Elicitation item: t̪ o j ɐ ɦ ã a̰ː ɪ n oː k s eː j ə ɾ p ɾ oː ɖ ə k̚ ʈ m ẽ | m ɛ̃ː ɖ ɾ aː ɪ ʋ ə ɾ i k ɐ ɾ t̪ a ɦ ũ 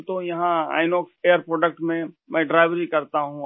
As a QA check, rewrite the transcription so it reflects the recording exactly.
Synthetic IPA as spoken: t̪ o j ɐ ɦ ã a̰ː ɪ n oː k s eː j ə ɾ p ɾ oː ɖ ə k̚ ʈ m ẽ | m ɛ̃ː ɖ ɾ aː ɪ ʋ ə ɾ i k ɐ ɾ t̪ a ɦ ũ